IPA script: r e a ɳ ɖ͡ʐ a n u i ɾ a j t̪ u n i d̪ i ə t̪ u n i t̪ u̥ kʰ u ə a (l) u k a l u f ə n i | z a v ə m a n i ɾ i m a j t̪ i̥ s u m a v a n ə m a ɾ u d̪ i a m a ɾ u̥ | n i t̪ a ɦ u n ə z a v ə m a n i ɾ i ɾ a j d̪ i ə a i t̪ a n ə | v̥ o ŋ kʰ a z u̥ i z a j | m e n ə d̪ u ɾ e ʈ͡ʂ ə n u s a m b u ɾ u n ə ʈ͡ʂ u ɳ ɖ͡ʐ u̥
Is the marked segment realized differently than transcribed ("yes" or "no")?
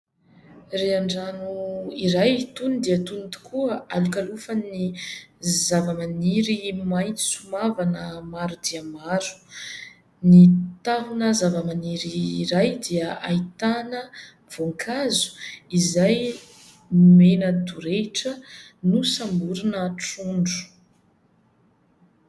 no